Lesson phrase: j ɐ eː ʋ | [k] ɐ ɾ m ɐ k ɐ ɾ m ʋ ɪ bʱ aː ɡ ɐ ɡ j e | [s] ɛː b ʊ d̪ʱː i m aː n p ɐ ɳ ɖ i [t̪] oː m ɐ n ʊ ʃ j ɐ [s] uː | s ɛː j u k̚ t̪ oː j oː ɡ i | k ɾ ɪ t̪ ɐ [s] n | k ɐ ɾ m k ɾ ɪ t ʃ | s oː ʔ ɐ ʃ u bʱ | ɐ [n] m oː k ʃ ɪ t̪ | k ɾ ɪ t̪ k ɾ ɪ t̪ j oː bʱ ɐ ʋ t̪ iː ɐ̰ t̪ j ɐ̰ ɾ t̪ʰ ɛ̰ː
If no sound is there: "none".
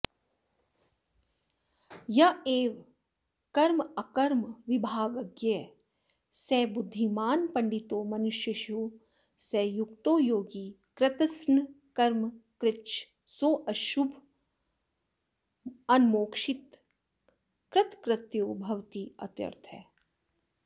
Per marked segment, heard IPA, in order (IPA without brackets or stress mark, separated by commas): k, s, t̪, ʃ, s, n